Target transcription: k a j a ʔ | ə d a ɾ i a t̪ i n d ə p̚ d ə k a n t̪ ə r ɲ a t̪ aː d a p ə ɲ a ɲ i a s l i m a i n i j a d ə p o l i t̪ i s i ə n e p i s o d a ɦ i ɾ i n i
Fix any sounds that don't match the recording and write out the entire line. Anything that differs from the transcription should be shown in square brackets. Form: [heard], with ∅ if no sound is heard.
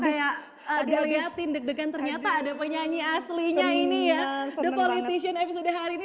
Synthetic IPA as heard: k a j a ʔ | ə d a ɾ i a t̪ i n d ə [k̚] d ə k a n t̪ ə r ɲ a t̪ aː d a p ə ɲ a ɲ i a s l i [ɲ] a i n i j a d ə p o l i t̪ i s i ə n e p i s o d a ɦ [a] ɾ i n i